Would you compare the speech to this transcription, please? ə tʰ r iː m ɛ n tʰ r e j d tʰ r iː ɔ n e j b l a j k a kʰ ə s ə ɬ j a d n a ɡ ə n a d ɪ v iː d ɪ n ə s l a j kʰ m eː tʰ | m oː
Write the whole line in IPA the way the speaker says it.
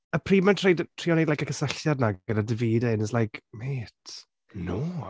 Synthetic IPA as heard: ə pʰ r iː m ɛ n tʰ r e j d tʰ r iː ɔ n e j d l a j k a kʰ ə s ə ɬ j a d n a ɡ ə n a d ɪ v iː d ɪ n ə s l a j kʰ m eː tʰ | n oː